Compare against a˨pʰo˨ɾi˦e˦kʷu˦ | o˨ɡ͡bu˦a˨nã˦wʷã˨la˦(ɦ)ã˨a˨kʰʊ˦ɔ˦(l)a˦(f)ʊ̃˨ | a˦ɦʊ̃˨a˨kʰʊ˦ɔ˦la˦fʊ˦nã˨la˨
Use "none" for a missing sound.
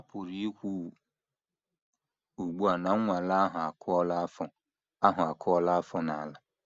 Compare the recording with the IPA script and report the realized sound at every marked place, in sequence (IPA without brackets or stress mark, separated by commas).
ɦ, l, f